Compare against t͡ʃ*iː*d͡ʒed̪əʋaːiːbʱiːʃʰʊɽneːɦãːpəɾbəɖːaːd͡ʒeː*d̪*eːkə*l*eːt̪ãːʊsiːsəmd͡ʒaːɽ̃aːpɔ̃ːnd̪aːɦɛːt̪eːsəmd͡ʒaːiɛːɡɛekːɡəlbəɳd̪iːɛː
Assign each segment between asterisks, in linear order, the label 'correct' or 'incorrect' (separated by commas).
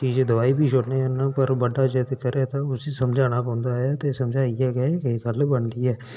correct, incorrect, incorrect